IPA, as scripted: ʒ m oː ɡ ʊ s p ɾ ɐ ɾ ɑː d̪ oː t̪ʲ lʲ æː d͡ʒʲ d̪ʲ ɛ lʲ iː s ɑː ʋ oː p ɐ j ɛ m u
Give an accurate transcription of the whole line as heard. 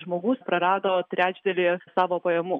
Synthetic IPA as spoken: ʒ m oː ɡ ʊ s p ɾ ɐ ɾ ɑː d̪ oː t̪ʲ ɾʲ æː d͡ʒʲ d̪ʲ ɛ lʲ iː s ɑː ʋ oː p ɐ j ɛ m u